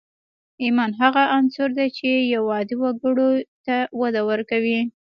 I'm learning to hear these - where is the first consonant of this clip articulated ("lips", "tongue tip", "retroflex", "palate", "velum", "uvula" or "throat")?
lips